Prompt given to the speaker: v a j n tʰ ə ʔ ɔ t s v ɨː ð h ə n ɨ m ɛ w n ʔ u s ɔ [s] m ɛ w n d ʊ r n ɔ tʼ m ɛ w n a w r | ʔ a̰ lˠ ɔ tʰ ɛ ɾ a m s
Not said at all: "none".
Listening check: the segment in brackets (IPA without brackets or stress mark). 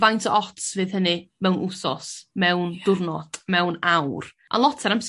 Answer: s